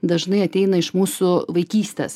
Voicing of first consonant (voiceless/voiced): voiced